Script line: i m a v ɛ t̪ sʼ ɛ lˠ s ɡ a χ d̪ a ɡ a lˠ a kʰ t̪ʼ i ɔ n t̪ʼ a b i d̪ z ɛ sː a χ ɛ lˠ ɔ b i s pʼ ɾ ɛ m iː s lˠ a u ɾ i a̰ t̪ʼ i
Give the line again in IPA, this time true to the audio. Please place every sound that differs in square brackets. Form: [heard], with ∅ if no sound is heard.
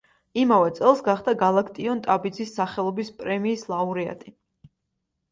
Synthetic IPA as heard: i m a v ɛ t̪ sʼ ɛ lˠ s ɡ a χ d̪ a ɡ a lˠ a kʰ t̪ʼ i ɔ n t̪ʼ a b i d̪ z [i] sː a χ ɛ lˠ ɔ b i s pʼ ɾ ɛ m iː s lˠ a u ɾ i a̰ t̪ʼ i

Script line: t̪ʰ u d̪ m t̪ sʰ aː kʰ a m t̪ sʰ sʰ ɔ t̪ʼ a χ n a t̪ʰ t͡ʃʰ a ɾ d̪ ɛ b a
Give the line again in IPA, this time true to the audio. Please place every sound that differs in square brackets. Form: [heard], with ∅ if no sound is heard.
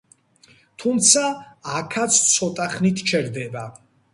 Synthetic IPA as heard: t̪ʰ u [∅] m t̪ sʰ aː kʰ a [∅] t̪ sʰ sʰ ɔ t̪ʼ a χ n [i] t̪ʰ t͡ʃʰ [ɛ] ɾ d̪ ɛ b a

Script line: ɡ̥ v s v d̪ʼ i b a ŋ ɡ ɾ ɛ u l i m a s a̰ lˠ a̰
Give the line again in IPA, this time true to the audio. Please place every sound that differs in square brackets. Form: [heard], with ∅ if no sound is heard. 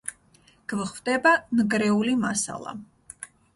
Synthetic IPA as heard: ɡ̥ v [χ] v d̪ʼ [ɛ] b a [n] ɡ ɾ ɛ u l i m a s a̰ lˠ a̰

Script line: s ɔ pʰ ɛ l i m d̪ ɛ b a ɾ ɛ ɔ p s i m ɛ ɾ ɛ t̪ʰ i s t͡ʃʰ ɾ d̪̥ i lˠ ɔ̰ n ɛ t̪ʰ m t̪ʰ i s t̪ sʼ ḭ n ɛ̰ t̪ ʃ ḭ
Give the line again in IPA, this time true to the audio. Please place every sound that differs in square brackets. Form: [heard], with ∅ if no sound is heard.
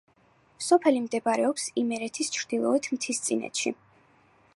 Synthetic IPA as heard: s ɔ pʰ ɛ l i m d̪ ɛ b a ɾ ɛ ɔ p s i m ɛ ɾ ɛ t̪ʰ i s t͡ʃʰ ɾ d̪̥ i lˠ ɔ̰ [∅] ɛ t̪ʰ m t̪ʰ i s t̪ sʼ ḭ n ɛ̰ t̪ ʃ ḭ

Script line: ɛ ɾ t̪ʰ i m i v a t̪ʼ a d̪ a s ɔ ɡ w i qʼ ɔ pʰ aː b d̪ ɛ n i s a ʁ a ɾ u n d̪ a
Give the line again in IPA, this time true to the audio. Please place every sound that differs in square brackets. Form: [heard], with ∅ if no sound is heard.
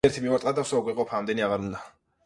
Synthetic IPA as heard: ɛ ɾ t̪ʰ i m i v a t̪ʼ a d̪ a s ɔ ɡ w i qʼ ɔ pʰ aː [m] d̪ ɛ n i [∅] a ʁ a ɾ u n d̪ a

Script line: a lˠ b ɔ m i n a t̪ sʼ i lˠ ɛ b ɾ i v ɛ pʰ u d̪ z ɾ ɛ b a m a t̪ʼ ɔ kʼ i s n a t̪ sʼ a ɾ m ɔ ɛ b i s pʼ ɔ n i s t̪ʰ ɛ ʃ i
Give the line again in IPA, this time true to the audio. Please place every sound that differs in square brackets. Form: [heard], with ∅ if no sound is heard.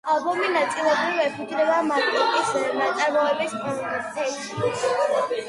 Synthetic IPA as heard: a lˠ b ɔ m i n a t̪ sʼ i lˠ ɛ b ɾ i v ɛ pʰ u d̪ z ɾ ɛ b a m a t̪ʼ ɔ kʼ i s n a t̪ sʼ a ɾ m ɔ ɛ b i s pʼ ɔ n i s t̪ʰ ɛ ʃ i

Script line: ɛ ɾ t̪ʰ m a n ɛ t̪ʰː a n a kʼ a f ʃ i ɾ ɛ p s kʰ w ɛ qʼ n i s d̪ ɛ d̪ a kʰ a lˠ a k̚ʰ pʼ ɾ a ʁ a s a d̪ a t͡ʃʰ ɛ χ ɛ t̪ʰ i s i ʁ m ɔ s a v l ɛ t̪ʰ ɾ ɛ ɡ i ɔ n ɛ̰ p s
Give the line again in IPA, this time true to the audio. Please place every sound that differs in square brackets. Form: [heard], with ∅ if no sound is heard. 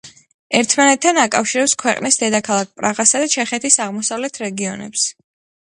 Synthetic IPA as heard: ɛ ɾ t̪ʰ m a n ɛ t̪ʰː a n a kʼ a f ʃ i ɾ ɛ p s kʰ w ɛ qʼ n i s d̪ ɛ d̪ a kʰ a lˠ a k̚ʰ pʼ ɾ a ʁ a s a d̪ a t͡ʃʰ ɛ χ ɛ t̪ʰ i s [a] ʁ m ɔ s a v l ɛ t̪ʰ ɾ ɛ ɡ i ɔ n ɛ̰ p s

